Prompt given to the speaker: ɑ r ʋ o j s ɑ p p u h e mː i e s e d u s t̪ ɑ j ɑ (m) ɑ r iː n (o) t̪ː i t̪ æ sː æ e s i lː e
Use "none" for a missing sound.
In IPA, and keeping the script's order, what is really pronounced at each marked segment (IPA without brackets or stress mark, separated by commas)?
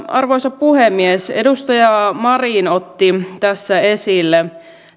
m, o